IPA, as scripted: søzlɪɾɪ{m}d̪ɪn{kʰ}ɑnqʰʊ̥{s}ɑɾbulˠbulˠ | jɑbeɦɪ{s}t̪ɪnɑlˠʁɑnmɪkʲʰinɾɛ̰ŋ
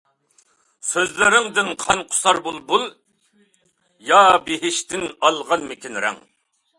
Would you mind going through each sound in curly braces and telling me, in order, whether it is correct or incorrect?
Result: incorrect: ŋ, incorrect: qʰ, correct, incorrect: ʃ

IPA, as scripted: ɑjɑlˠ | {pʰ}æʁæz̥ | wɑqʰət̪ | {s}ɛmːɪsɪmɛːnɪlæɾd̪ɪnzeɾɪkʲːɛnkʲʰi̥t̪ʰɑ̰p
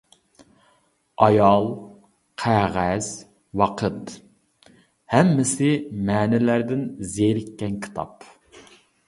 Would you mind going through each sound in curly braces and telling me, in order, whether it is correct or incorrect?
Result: incorrect: qʰ, incorrect: h

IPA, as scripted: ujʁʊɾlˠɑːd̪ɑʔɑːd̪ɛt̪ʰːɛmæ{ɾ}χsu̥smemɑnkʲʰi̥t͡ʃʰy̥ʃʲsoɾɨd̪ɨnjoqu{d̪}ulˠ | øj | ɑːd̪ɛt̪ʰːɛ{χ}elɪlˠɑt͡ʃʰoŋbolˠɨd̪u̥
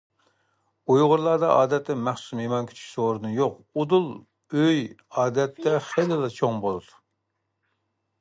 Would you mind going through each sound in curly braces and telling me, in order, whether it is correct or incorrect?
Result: incorrect: none, correct, correct

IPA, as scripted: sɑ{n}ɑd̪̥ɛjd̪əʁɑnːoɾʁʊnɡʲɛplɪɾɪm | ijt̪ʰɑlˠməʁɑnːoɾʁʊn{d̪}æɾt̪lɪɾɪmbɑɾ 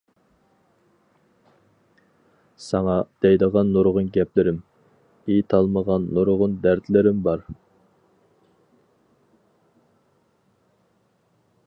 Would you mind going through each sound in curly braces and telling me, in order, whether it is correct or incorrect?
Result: incorrect: ŋ, correct

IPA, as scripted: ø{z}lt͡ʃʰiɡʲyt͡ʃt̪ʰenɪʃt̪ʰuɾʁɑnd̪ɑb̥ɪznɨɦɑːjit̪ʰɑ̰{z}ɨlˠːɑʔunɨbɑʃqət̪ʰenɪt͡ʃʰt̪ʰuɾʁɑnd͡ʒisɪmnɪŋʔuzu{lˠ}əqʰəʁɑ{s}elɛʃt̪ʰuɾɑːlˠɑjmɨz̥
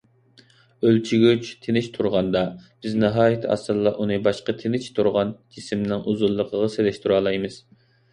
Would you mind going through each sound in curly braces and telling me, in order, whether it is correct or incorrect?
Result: incorrect: none, incorrect: s, incorrect: lˠː, correct

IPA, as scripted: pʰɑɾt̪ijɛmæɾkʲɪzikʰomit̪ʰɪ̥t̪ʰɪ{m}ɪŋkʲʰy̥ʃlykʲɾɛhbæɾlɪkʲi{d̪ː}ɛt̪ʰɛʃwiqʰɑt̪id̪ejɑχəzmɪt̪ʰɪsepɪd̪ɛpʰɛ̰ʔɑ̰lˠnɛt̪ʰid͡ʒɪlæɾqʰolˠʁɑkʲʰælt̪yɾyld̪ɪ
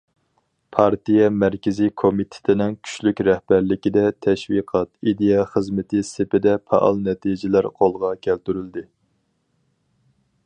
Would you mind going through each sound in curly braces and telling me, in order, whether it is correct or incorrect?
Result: incorrect: n, incorrect: d̪

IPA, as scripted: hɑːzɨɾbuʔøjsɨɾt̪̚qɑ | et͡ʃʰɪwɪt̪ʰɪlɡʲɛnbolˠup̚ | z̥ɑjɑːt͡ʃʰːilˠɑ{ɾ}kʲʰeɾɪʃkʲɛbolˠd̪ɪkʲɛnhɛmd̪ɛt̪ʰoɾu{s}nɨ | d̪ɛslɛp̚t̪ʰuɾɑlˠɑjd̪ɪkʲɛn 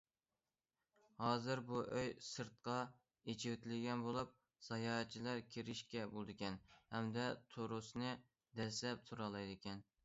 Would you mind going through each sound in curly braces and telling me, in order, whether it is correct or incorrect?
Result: correct, correct

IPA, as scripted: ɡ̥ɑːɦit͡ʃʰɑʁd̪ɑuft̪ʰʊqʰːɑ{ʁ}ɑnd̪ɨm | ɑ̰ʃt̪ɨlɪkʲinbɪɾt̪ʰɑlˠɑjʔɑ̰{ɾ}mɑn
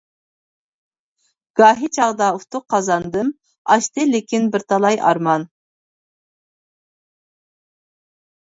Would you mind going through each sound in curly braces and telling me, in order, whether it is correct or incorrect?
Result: incorrect: z, correct

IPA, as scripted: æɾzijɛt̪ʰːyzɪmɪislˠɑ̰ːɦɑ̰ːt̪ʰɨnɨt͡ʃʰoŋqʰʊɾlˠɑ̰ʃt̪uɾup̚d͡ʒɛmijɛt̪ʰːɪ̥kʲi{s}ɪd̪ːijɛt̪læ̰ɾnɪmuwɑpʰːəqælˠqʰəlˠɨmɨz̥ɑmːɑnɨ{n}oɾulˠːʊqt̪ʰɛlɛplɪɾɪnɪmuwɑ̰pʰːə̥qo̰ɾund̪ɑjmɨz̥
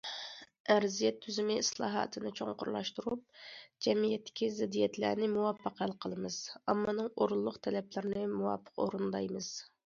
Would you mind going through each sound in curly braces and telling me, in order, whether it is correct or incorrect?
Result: incorrect: z, incorrect: ŋ

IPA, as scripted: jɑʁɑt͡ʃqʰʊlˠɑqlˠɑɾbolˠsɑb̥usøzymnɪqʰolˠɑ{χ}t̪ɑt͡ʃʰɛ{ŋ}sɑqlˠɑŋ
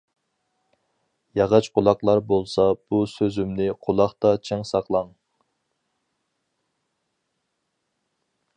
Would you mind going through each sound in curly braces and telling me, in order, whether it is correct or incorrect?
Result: correct, correct

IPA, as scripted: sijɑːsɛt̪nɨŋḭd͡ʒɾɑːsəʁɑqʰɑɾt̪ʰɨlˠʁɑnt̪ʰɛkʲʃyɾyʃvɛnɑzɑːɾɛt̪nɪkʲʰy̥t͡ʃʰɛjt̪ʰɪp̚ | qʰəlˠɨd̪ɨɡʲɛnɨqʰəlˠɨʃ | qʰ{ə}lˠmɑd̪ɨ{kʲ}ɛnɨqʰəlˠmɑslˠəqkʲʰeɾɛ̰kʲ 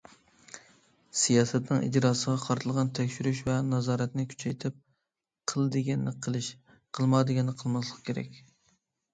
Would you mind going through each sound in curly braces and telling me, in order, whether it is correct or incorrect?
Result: correct, incorrect: ɡʲ

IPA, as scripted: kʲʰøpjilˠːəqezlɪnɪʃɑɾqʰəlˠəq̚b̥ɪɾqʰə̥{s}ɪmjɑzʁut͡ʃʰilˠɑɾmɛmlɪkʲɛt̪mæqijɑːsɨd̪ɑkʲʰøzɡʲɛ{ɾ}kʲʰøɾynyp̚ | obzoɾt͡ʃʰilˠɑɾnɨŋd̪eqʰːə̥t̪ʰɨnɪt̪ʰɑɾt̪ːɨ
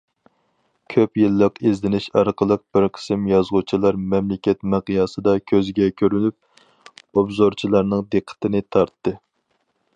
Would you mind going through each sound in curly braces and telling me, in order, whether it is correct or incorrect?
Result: correct, incorrect: none

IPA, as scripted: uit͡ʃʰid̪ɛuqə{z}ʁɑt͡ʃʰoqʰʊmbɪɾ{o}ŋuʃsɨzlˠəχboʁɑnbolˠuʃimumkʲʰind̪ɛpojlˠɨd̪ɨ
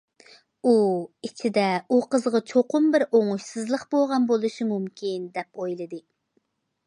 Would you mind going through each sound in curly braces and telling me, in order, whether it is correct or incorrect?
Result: correct, correct

